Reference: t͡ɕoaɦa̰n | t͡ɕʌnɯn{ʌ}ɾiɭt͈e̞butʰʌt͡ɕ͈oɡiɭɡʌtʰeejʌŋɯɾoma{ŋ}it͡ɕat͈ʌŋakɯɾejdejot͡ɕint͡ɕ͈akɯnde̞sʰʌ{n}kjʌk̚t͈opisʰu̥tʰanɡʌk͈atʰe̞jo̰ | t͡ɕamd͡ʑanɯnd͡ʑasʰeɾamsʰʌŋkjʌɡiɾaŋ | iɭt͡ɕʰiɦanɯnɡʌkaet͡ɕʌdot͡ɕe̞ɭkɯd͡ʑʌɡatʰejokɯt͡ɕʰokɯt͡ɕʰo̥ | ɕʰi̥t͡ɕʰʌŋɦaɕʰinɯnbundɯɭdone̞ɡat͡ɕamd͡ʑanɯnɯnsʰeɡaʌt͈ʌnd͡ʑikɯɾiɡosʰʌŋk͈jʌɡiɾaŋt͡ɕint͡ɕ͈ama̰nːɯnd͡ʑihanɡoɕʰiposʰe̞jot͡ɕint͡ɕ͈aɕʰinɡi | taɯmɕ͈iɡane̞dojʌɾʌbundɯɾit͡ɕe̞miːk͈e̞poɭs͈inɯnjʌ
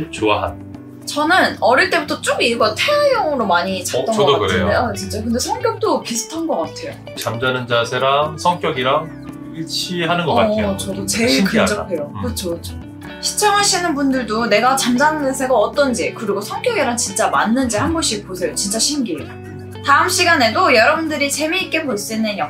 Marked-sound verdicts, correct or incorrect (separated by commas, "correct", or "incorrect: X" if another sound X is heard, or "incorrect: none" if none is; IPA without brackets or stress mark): correct, incorrect: ɲ, incorrect: ŋ